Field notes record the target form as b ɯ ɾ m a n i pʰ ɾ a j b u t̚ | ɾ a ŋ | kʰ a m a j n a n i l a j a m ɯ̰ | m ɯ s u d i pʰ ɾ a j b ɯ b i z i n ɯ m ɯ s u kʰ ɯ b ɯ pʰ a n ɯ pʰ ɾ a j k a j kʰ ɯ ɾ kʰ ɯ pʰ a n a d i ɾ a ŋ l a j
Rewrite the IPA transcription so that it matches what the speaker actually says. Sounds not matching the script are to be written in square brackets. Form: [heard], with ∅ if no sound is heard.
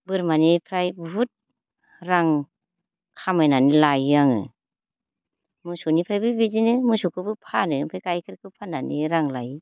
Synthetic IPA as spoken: b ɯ ɾ m a n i pʰ ɾ a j b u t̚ | ɾ a ŋ | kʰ a m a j n a n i l a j a [ŋ] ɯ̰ | m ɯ s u [n] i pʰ ɾ a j b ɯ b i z i n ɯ m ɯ s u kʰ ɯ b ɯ pʰ a n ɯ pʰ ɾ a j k a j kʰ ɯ ɾ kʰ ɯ pʰ a n a [n] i ɾ a ŋ l a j